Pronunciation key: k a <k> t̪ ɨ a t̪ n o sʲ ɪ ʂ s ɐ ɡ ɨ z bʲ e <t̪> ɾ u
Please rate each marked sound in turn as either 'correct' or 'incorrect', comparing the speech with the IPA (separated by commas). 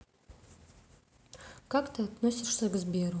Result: correct, incorrect